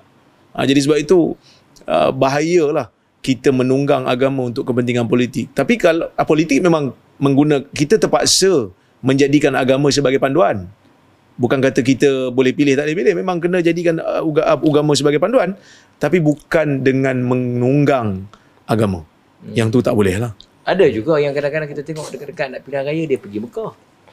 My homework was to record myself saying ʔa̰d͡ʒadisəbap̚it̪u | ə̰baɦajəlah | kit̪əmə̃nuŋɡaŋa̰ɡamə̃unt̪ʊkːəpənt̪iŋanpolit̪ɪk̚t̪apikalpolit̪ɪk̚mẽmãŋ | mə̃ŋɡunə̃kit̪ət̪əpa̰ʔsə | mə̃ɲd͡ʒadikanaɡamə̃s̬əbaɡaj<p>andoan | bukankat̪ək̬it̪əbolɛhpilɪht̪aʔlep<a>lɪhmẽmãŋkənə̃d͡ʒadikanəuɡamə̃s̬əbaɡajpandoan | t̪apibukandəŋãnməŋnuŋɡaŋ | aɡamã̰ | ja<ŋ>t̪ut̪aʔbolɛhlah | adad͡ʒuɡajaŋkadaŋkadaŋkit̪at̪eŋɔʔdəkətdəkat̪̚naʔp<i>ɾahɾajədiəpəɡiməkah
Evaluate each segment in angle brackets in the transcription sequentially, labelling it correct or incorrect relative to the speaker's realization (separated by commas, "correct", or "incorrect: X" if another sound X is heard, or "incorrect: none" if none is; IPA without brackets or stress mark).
correct, incorrect: i, correct, correct